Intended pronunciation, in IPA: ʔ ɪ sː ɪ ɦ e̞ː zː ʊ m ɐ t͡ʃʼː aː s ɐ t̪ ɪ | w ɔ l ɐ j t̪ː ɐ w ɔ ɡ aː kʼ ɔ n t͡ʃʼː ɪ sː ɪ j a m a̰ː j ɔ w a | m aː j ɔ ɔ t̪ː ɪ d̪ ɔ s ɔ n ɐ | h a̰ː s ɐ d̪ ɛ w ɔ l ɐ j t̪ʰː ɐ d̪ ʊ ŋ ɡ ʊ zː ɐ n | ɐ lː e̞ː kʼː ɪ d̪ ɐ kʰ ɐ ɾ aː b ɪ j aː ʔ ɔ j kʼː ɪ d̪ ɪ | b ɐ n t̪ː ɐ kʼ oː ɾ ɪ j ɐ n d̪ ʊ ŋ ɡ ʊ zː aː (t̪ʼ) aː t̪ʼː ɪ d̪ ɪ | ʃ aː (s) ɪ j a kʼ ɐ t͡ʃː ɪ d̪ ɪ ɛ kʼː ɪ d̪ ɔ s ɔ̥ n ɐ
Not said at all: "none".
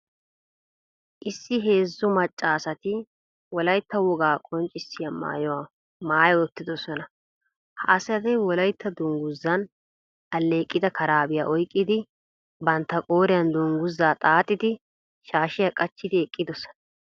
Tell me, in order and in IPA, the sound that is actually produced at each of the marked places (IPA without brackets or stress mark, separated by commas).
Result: t̪ʼ, ʃ